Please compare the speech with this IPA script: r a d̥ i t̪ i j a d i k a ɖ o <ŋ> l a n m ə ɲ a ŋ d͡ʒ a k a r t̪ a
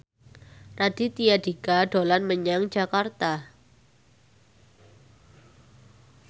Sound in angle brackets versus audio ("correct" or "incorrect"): incorrect